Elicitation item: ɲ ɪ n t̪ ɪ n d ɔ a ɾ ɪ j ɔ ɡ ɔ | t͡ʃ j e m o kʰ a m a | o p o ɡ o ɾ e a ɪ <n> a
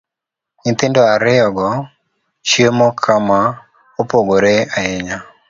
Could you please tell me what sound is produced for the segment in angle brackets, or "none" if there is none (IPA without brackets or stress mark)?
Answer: ɲ